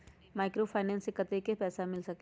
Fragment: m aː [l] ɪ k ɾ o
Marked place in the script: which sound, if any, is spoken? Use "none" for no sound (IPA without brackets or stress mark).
none